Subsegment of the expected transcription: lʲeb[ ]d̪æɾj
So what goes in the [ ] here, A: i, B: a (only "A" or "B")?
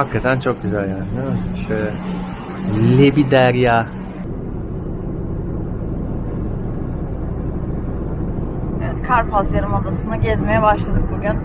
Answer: A